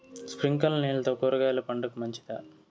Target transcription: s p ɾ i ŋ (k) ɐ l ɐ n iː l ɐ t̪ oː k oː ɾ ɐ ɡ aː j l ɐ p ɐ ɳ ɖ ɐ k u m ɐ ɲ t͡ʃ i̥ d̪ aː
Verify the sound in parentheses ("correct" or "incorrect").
correct